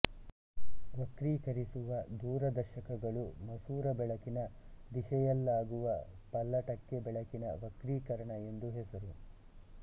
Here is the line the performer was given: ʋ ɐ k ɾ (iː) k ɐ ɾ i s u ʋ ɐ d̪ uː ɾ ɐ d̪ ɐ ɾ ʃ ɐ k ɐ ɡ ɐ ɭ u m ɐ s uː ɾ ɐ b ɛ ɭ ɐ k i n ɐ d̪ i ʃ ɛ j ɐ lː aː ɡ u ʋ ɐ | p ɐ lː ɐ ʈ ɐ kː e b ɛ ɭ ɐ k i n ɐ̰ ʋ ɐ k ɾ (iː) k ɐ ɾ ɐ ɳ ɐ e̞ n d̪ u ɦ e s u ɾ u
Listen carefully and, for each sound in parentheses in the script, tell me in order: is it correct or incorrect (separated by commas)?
correct, correct